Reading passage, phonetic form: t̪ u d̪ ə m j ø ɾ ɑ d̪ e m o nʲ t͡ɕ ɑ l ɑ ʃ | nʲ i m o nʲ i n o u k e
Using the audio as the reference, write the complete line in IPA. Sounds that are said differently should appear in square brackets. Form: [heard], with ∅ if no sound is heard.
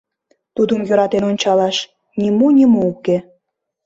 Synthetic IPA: t̪ u d̪ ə m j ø ɾ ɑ [t̪] e [n] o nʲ t͡ɕ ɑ l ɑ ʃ | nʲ i m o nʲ i [m] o u k e

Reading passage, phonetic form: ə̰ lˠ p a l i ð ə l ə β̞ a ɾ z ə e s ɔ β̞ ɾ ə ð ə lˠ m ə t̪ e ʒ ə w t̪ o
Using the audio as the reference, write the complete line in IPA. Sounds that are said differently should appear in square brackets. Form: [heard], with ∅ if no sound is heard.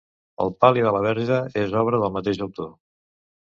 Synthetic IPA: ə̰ lˠ p a l i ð ə l ə β̞ [ɛ] ɾ [ʒ] ə e [z] ɔ β̞ ɾ ə ð ə lˠ m ə t̪ e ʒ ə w t̪ o

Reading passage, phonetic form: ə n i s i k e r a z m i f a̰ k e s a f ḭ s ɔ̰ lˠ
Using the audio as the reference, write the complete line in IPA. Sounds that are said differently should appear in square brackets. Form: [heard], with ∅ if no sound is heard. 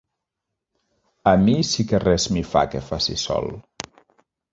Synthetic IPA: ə [m] i s i k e r [ɛ] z m i f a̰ k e [f] a [s] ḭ s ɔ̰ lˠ

